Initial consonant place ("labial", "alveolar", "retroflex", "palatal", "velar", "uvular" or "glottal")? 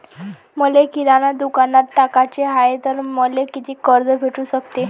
labial